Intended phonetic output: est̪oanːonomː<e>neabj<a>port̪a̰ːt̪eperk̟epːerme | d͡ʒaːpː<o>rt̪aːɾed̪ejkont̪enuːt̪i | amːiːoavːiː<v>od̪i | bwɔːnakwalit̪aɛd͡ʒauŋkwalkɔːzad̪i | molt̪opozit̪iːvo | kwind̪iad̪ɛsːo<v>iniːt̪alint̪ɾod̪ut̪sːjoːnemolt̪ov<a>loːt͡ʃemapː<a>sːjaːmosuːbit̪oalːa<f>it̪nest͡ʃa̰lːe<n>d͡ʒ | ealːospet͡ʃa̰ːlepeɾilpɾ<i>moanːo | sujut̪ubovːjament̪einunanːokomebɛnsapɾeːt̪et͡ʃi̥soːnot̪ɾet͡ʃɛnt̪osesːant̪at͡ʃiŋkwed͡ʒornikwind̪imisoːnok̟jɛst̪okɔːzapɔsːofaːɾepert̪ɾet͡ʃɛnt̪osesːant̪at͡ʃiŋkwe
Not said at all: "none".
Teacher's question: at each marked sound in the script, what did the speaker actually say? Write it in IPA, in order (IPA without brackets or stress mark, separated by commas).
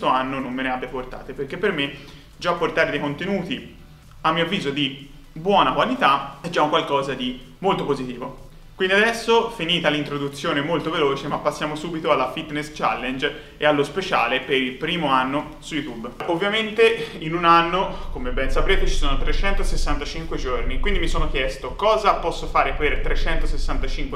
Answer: e, a, o, z, f, e, a, f, n, iː